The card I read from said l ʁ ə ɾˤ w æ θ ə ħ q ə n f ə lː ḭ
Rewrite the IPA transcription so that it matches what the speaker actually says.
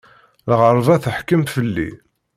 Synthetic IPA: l ʁ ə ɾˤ v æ θ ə ħ k ə m f ə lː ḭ